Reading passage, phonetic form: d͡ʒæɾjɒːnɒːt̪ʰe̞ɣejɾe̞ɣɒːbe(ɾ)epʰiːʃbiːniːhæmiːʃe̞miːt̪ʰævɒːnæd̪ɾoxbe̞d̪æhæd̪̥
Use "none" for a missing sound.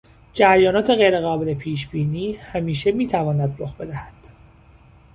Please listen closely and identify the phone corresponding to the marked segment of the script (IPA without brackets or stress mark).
l